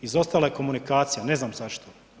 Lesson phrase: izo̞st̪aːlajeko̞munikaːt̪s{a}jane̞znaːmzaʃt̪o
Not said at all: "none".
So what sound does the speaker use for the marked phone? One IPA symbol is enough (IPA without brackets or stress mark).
i